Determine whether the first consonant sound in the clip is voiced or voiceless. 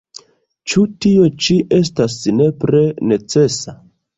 voiceless